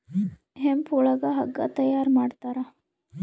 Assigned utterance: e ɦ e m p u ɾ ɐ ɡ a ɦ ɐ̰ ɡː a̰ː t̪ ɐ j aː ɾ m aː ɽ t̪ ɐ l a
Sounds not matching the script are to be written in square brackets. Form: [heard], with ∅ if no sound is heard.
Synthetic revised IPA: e ɦ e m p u [ɭ] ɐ ɡ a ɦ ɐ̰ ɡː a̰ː t̪ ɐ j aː ɾ m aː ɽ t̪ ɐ [ɾ] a